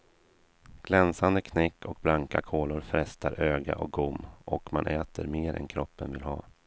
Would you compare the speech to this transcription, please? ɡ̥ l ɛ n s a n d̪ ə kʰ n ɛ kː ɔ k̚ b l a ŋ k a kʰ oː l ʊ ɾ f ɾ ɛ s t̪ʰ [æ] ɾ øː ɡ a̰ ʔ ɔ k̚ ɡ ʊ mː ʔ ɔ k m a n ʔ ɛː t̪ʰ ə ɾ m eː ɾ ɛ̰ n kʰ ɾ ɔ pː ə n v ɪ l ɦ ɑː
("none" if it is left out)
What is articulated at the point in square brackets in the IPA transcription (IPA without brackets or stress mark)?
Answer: a